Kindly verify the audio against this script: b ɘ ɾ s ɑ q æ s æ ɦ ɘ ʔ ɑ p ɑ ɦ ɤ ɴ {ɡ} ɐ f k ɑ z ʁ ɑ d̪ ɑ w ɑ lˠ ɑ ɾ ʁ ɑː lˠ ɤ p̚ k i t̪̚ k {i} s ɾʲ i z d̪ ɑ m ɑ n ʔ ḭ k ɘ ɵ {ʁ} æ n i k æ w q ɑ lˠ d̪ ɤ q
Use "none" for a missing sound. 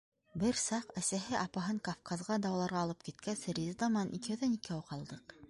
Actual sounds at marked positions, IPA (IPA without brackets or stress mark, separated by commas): k, æ, ð